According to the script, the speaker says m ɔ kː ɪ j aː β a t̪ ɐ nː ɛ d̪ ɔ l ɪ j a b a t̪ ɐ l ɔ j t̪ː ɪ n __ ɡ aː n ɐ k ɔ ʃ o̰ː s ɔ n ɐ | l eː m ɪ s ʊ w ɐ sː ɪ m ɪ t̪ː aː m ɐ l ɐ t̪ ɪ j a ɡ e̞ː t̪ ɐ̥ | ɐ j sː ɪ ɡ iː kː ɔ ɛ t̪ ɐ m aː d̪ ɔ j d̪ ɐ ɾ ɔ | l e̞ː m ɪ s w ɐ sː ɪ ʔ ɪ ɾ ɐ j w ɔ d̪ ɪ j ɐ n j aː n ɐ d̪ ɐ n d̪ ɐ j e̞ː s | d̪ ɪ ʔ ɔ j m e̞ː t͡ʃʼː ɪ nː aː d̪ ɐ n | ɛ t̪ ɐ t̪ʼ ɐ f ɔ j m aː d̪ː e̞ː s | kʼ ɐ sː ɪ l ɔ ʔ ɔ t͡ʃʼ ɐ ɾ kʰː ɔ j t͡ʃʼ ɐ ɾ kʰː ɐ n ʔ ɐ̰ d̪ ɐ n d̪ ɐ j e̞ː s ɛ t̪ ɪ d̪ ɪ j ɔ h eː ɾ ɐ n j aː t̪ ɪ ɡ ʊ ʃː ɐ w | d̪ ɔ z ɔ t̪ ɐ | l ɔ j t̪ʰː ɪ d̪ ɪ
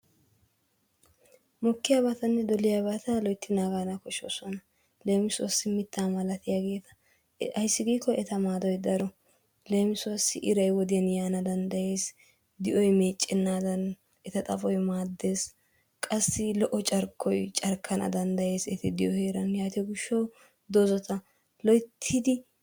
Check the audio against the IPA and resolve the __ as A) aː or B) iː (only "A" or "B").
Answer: A